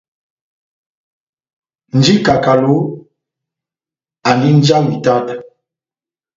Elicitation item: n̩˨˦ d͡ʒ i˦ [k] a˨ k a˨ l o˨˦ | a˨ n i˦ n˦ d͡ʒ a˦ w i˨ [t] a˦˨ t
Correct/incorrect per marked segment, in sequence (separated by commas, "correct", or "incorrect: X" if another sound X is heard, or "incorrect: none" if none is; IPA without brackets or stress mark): correct, correct